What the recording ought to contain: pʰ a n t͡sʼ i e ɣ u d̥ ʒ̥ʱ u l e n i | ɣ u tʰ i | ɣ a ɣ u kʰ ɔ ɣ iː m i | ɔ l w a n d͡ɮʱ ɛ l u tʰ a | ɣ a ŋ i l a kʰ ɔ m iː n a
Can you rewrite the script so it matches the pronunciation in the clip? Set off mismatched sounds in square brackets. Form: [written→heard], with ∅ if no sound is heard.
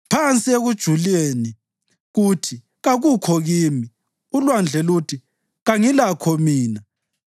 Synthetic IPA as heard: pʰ a n t͡sʼ i e ɣ u d̥ ʒ̥ʱ u l e n i | ɣ u tʰ i | ɣ a ɣ u kʰ ɔ ɣ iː m i | [ɔ→u] l w a n d͡ɮʱ ɛ l u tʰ [a→i] | ɣ a ŋ i l a kʰ ɔ m iː n a